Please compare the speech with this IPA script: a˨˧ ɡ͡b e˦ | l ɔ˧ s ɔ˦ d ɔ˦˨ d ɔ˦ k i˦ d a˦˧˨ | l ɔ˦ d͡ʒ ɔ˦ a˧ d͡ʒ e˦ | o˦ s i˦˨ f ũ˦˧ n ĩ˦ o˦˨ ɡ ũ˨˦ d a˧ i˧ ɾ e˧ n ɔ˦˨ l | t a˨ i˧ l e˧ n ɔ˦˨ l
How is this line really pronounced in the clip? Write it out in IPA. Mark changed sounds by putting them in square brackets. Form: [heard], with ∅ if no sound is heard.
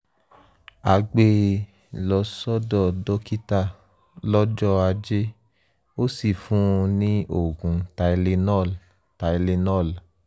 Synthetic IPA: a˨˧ ɡ͡b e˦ | l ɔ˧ s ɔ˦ d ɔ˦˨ d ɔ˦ k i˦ [t] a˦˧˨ | l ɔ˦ d͡ʒ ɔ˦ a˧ d͡ʒ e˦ | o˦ s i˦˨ f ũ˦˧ n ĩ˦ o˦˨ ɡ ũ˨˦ [t] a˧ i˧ [l] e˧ n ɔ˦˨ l | t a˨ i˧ l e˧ n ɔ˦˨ l